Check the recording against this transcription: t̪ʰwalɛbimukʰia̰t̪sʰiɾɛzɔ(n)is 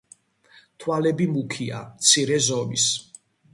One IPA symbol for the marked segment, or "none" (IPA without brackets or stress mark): m